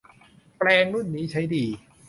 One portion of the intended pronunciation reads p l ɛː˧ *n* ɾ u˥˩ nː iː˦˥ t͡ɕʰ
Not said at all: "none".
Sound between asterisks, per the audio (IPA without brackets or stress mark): ŋ